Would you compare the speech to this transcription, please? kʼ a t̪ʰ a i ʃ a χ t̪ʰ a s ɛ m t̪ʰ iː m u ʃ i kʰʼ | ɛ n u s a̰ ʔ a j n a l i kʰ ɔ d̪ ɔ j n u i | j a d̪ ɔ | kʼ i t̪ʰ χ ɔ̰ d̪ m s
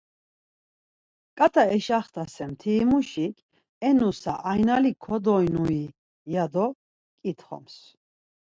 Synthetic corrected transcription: kʼ a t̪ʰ a ɛ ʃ a χ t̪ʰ a s ɛ m t̪ʰ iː m u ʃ i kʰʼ | ɛ n u s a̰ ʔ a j n a l i kʰ ɔ d̪ ɔ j n u i | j a d̪ ɔ | kʼ i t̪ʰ χ ɔ̰ m s